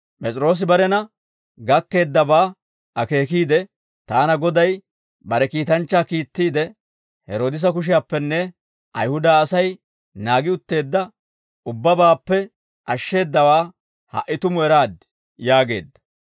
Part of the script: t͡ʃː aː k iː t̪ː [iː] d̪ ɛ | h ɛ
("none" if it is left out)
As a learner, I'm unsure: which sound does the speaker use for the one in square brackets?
iː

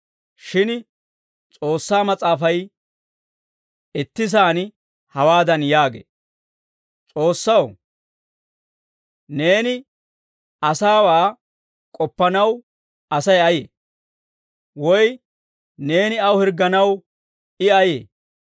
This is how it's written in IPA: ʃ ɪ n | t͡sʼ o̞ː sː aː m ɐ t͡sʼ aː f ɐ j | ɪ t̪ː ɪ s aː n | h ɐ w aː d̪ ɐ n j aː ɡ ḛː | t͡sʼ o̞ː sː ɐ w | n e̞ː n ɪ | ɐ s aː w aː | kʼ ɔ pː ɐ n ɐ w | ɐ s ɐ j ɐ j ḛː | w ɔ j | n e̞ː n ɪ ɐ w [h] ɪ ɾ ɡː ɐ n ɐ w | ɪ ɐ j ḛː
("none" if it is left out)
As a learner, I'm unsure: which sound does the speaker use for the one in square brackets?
h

